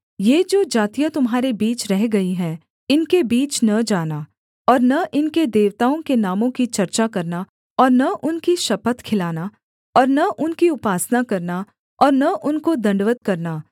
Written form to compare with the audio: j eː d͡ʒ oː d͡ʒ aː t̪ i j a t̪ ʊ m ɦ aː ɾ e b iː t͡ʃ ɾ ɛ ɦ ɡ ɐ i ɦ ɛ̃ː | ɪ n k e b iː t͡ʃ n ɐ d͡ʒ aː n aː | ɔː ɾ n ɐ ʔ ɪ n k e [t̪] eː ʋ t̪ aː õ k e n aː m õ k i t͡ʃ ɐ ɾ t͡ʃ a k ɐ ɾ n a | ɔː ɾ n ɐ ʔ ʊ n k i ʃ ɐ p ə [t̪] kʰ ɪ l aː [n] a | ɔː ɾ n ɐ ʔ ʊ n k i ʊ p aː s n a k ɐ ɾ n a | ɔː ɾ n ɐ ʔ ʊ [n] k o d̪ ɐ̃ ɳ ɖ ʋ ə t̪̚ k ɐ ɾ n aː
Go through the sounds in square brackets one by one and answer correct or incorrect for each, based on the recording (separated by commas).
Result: incorrect, correct, correct, correct